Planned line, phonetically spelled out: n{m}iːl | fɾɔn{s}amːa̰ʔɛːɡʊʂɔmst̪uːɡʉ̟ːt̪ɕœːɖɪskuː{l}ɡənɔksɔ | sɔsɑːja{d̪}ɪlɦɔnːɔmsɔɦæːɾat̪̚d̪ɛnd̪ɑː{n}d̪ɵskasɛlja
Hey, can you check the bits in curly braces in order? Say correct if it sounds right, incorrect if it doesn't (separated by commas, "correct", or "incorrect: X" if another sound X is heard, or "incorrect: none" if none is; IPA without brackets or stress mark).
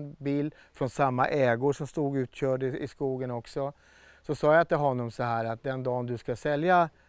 incorrect: b, correct, incorrect: none, incorrect: t̪, correct